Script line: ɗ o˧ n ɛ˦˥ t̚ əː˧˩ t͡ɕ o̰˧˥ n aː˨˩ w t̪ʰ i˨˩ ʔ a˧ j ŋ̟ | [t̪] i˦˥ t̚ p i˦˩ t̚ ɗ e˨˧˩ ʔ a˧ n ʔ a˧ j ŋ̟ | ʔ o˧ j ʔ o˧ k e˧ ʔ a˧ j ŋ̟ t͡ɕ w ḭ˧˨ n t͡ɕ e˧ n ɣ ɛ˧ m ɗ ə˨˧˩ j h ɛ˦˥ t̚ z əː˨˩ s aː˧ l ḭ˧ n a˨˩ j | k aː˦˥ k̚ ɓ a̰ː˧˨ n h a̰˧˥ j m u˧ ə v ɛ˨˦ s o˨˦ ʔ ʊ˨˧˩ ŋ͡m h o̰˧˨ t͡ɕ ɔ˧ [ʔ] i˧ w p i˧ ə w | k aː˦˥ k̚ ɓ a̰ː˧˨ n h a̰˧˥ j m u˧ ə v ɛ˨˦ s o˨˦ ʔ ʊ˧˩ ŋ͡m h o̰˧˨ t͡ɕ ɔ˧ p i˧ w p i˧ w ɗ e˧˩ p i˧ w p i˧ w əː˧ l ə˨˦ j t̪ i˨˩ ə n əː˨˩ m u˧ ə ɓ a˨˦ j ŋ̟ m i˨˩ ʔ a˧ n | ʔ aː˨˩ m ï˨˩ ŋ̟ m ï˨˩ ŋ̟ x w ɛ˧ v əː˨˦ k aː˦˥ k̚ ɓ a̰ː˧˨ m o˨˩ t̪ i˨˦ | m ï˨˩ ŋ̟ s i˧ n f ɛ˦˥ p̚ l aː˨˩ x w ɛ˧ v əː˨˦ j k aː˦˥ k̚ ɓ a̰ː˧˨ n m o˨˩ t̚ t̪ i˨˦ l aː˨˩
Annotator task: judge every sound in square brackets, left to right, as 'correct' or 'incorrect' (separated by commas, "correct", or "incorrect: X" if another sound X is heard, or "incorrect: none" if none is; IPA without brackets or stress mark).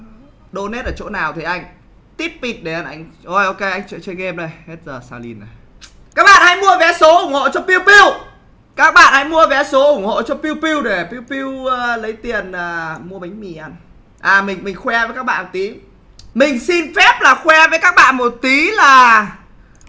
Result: correct, incorrect: p